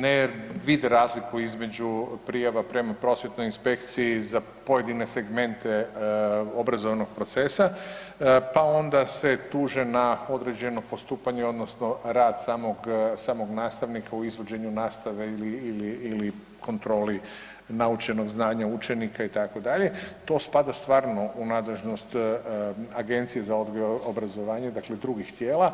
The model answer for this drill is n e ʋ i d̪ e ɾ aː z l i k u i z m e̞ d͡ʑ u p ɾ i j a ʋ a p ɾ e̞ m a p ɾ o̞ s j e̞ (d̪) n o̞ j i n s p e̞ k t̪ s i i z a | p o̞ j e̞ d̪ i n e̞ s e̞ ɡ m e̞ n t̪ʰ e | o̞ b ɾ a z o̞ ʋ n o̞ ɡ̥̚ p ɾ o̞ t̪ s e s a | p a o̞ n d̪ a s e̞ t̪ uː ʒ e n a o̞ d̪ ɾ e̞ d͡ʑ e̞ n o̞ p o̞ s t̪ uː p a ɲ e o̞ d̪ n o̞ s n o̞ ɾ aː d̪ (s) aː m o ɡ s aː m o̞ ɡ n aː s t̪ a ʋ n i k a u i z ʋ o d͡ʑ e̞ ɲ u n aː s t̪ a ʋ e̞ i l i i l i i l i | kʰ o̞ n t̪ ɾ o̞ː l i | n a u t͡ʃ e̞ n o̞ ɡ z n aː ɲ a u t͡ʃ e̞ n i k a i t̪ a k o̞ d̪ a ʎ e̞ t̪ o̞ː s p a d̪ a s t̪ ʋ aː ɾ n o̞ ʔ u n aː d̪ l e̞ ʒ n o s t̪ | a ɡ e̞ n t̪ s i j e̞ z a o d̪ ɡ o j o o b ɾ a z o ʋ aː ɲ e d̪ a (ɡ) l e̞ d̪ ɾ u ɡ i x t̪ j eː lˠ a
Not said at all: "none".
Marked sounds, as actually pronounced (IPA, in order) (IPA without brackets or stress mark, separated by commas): t̪, s, k